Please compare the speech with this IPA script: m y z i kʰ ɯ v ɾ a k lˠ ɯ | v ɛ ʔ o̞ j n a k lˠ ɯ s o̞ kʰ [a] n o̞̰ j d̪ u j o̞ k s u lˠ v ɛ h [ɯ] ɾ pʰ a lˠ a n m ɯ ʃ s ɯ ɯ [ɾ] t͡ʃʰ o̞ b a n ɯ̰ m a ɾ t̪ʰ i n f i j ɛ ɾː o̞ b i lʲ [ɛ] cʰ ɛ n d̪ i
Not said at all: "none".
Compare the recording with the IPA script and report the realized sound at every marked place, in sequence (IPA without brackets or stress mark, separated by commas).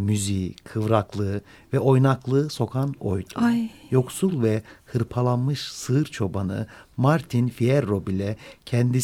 a, ɯ, ɾ, ɛ